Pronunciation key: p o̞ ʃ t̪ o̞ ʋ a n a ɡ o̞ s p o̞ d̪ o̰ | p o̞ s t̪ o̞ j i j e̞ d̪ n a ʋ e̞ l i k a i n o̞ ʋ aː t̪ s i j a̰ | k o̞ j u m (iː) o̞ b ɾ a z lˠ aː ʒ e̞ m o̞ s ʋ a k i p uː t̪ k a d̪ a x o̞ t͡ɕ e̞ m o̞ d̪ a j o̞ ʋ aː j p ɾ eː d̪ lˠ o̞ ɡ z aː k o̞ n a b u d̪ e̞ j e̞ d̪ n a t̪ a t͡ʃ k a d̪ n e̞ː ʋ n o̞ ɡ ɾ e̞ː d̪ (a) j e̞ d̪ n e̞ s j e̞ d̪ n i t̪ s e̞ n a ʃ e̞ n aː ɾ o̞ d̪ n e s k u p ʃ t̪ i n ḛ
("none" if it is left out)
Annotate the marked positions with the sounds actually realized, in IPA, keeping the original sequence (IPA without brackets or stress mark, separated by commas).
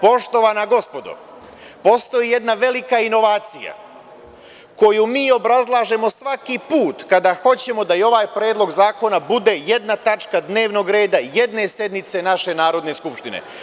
iː, a